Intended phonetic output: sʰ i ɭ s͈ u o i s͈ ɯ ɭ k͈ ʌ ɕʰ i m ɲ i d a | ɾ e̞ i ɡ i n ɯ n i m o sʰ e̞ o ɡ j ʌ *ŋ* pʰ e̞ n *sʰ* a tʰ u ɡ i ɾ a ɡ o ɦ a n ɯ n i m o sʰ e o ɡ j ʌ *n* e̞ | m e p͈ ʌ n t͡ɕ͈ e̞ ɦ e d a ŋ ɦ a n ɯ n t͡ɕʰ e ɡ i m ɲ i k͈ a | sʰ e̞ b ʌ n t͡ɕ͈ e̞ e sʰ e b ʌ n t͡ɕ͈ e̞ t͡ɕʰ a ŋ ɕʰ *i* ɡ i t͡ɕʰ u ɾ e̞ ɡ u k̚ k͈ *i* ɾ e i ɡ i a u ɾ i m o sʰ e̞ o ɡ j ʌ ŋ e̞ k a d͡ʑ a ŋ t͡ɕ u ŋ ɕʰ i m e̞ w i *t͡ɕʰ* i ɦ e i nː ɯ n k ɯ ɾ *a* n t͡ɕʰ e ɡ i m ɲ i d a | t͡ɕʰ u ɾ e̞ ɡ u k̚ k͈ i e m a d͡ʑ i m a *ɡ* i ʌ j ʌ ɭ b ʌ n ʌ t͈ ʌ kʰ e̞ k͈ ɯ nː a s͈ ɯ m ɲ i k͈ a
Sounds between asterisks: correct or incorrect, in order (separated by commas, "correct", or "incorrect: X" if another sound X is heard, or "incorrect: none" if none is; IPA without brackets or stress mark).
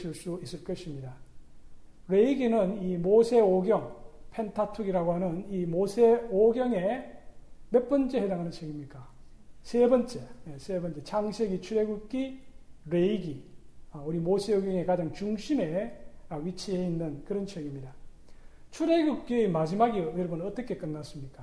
correct, incorrect: tʰ, incorrect: ŋ, incorrect: e, correct, correct, incorrect: ʌ, correct